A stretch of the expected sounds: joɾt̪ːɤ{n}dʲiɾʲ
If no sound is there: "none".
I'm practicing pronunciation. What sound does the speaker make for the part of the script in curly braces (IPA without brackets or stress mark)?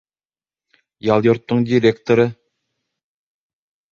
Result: ɴ